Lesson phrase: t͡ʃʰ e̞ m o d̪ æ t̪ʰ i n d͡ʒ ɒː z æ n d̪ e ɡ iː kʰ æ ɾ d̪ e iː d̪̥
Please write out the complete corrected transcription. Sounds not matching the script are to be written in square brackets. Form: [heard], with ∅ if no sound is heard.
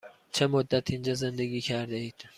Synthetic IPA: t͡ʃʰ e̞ m o [d̪ː] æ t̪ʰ i n d͡ʒ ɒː z [e] n d̪ e ɡ iː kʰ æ ɾ d̪ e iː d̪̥